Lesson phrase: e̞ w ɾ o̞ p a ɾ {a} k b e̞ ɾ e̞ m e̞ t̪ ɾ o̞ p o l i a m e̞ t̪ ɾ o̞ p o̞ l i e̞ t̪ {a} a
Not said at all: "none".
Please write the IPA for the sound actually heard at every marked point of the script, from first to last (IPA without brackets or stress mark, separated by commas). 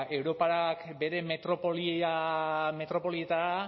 a, a